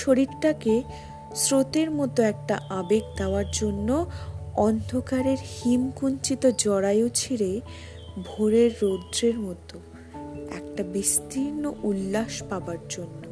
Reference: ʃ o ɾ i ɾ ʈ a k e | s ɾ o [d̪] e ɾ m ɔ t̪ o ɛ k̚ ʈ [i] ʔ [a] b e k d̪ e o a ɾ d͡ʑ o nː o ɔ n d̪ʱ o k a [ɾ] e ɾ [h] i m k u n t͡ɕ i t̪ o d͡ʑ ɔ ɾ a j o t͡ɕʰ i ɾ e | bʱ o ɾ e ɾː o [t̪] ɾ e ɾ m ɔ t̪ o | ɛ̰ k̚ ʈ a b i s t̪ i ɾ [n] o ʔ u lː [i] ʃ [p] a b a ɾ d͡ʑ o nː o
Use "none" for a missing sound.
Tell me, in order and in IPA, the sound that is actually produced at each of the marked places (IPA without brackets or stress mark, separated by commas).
t̪, a, a, ɾ, h, d̪, n, a, p